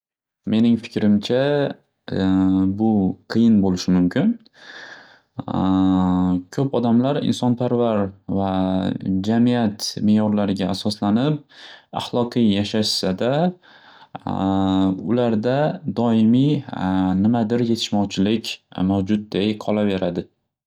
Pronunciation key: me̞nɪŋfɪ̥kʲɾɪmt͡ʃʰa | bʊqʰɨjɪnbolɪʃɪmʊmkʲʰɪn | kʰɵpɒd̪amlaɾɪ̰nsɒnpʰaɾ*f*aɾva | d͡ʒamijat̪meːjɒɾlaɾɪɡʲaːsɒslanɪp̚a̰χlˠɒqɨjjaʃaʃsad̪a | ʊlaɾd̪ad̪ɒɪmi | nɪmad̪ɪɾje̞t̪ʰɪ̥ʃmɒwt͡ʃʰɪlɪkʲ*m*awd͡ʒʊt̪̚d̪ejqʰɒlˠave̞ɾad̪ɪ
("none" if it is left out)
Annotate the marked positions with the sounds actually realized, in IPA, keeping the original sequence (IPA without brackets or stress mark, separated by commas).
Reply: v, m